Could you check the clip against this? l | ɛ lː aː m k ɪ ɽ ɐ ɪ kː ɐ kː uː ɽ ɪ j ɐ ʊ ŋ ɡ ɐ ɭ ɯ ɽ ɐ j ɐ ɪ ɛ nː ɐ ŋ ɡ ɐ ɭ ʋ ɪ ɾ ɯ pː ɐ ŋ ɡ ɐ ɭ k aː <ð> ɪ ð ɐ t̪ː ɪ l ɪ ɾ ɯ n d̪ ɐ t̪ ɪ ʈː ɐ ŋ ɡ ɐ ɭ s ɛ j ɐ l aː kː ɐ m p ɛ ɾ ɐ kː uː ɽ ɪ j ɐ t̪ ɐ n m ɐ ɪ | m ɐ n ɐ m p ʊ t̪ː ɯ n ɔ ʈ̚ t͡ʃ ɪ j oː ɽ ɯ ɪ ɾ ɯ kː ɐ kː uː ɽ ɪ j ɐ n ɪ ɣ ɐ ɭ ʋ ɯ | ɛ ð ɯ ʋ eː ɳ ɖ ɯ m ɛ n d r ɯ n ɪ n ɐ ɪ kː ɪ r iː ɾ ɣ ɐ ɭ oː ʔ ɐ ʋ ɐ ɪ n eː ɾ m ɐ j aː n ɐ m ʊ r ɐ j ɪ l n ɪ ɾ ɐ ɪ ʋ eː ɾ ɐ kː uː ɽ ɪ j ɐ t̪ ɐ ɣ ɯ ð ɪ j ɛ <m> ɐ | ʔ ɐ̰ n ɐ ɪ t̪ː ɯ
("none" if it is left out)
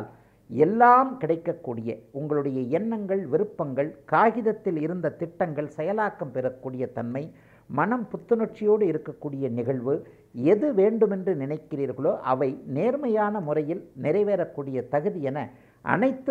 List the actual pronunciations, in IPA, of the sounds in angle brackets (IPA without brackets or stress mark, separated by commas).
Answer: ɣ, n